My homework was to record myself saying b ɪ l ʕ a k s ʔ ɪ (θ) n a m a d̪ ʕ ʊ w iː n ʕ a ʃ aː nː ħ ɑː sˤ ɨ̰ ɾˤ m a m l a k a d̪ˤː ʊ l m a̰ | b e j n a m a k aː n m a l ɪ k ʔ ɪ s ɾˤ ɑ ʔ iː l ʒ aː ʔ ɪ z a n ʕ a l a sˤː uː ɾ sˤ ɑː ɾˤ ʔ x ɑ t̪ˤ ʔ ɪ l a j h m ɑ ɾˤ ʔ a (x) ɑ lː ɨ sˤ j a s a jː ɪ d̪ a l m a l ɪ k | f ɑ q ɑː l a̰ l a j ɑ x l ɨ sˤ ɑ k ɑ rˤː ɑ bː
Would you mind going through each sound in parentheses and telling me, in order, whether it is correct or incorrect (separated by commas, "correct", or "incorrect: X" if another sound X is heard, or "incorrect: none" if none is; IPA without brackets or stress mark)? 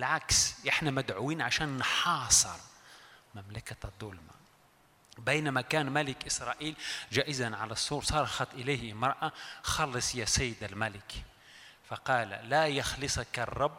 incorrect: ħ, correct